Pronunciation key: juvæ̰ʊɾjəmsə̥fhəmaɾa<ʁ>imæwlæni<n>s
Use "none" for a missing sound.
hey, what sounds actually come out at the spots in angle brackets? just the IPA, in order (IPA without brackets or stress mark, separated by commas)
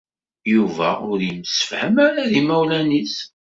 ð, none